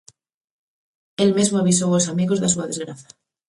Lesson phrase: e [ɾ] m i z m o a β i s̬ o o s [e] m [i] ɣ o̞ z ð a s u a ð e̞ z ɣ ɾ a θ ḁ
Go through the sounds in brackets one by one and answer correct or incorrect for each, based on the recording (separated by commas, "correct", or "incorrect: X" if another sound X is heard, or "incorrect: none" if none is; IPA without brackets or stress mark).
incorrect: l, incorrect: a, correct